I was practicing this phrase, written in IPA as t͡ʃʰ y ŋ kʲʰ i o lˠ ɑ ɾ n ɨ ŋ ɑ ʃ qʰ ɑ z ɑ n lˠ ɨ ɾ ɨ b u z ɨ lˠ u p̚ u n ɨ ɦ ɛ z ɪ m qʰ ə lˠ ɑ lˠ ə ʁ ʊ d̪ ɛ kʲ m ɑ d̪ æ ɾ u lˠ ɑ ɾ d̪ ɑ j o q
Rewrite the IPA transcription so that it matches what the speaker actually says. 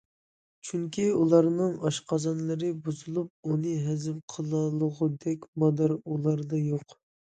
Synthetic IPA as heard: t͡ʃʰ y ŋ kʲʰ i u lˠ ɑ ɾ n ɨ ŋ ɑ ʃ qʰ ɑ z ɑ n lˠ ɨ ɾ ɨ b u z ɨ lˠ u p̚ u n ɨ ɦ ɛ z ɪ m qʰ ə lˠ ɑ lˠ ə ʁ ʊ d̪ ɛ kʲ m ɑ d̪ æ ɾ u lˠ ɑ ɾ d̪ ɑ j o q